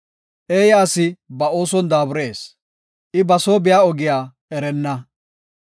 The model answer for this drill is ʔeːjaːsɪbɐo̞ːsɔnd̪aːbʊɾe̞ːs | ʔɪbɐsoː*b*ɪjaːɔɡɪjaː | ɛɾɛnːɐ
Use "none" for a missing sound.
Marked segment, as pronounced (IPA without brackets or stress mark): b